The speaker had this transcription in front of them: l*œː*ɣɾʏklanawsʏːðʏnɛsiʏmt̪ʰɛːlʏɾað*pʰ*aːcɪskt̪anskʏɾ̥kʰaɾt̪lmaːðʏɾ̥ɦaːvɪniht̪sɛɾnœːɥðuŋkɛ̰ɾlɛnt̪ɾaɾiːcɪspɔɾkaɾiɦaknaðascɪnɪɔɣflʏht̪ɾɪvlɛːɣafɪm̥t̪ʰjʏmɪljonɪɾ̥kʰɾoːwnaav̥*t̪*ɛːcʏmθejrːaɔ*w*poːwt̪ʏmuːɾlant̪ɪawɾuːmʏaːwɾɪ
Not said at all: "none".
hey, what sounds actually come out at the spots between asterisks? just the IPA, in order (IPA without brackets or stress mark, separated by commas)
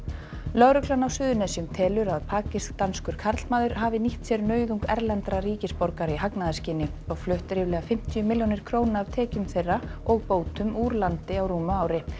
œ, pʰ, t̪ʰ, ɣ